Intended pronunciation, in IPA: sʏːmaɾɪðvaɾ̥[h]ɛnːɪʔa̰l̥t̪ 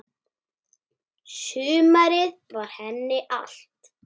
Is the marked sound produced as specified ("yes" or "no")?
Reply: yes